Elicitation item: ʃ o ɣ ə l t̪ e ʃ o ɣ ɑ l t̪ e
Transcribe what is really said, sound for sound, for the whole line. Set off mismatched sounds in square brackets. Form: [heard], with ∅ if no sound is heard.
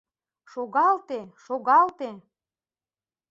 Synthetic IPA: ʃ o ɣ [ɑ] l t̪ e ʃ o ɣ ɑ l t̪ e